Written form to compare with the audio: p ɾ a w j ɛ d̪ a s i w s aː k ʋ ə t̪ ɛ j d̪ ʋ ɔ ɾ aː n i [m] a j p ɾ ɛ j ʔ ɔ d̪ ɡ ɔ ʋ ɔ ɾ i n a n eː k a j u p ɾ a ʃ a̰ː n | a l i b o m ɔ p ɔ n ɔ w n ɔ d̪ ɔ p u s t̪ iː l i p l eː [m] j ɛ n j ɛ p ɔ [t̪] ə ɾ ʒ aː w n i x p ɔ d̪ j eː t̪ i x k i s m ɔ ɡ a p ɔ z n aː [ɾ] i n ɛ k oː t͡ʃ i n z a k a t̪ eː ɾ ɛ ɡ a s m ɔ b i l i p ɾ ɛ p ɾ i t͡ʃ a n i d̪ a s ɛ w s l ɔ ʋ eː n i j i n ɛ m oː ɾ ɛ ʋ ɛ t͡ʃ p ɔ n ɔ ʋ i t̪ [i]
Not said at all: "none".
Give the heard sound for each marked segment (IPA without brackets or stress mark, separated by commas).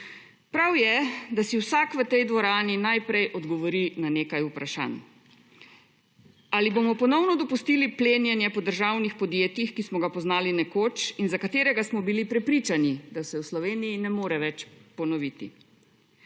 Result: n, n, d̪, l, i